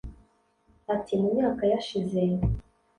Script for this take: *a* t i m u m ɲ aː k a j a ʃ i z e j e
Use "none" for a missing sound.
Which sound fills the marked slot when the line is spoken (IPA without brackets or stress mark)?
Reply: a